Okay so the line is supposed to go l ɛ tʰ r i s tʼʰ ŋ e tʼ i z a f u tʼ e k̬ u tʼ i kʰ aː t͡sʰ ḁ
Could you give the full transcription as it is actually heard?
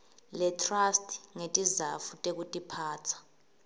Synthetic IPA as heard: l ɛ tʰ r a s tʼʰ ŋ e tʼ i z a f u tʼ e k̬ u tʼ i pʰ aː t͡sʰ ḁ